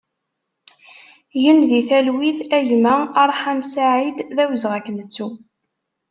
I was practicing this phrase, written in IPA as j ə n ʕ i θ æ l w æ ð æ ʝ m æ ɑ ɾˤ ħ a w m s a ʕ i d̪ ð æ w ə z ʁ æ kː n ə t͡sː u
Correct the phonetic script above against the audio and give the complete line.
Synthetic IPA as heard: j ə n ð i θ æ l w i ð æ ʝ m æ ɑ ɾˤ ħ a m s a ʕ i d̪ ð æ w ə z ʁ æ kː n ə t͡sː u